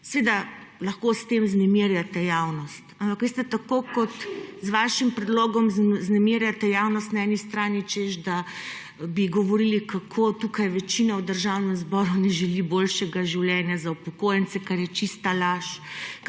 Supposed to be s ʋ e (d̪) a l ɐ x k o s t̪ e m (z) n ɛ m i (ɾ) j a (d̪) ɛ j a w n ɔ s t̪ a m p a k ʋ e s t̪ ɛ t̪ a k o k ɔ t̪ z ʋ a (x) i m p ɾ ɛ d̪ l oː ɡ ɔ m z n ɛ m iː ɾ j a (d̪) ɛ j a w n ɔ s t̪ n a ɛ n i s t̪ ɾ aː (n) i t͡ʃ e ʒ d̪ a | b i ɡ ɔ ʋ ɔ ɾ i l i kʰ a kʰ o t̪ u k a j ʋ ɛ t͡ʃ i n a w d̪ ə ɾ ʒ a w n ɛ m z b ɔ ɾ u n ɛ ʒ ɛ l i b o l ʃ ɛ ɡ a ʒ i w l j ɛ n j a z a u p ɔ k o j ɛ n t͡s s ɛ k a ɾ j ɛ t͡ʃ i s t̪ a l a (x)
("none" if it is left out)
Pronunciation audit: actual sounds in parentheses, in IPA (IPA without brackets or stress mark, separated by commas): d̪, z, ɾ, t̪, ʃ, t̪, n, ʃ